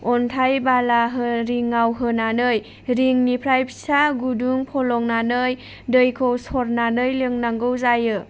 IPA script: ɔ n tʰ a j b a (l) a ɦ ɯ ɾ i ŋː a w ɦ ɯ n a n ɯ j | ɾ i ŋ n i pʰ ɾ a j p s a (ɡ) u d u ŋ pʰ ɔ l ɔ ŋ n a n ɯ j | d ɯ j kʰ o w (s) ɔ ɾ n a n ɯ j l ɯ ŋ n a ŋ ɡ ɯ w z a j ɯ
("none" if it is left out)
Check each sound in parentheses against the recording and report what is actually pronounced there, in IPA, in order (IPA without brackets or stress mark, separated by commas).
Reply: l, ɡ, s